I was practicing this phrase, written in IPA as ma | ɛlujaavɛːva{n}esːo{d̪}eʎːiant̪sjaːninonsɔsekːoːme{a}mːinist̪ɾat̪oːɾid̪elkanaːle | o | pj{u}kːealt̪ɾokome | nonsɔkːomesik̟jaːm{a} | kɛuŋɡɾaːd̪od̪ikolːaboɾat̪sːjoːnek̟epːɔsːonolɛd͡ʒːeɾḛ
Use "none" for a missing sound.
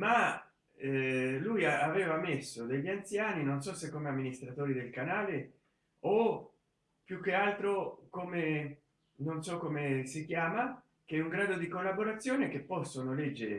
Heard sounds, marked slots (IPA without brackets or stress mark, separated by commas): m, d̪, a, u, a